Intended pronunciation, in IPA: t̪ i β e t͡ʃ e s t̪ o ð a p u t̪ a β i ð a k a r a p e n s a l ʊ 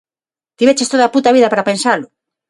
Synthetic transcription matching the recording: t̪ i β e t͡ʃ e s t̪ o ð a p u t̪ a β i ð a p a ɾ a p e n s a l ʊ